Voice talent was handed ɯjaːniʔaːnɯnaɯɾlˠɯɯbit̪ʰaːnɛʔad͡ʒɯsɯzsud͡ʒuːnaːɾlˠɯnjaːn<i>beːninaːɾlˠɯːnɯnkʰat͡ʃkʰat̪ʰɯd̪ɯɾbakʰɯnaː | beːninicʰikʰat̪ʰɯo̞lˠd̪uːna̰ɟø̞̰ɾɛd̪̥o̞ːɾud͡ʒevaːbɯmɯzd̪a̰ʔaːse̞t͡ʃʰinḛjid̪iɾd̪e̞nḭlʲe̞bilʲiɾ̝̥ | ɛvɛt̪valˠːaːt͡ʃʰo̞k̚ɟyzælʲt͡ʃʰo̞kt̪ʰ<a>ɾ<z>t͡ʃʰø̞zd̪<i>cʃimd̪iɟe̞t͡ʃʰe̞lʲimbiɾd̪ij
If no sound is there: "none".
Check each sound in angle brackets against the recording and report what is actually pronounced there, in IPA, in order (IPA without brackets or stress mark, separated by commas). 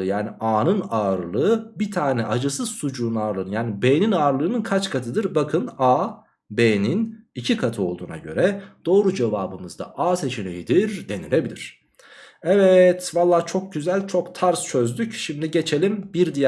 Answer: i, a, s, y